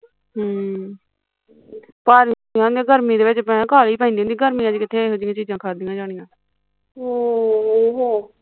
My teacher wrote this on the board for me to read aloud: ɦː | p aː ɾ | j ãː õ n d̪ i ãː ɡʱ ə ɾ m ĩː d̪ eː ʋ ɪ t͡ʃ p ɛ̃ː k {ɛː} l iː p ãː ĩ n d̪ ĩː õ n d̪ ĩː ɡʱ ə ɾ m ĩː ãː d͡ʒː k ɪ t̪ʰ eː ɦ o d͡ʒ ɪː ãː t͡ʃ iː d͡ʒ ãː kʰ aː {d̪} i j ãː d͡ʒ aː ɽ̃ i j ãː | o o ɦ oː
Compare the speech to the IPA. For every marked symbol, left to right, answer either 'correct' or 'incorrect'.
incorrect, correct

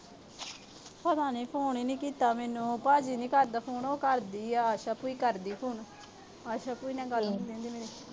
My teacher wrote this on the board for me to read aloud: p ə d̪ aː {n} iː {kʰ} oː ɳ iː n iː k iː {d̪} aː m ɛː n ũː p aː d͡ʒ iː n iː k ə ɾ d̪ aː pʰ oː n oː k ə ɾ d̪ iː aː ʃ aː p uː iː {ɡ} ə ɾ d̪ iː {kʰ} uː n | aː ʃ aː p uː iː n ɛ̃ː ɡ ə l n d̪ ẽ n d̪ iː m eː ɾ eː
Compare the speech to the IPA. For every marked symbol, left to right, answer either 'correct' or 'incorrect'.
correct, incorrect, incorrect, incorrect, incorrect

